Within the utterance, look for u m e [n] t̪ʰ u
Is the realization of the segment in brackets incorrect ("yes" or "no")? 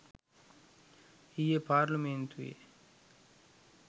no